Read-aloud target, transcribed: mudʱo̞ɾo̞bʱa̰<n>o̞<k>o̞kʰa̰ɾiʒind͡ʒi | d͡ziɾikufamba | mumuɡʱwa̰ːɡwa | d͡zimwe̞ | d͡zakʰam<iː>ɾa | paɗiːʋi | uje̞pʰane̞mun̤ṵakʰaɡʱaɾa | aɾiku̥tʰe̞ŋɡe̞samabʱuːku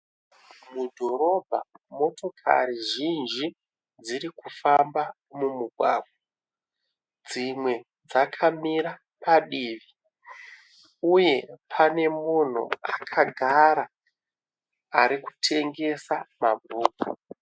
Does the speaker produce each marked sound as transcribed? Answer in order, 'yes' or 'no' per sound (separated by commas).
no, no, no